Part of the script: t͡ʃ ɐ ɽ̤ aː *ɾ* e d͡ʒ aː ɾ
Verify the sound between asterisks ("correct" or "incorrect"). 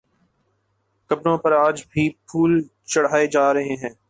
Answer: incorrect